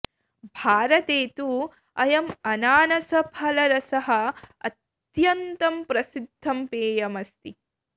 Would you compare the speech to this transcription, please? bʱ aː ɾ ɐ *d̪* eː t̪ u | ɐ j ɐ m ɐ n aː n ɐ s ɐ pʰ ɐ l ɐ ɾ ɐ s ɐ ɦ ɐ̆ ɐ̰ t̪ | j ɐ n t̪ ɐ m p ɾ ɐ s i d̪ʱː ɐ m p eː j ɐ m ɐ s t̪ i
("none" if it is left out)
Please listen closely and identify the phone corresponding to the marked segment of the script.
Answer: t̪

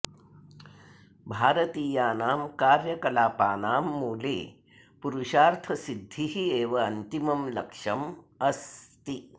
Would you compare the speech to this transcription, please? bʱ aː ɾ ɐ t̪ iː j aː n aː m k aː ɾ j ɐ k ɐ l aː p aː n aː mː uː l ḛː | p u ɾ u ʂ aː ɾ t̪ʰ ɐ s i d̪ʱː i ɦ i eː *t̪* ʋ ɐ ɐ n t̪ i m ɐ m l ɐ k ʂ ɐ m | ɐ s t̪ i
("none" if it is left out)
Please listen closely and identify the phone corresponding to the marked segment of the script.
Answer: none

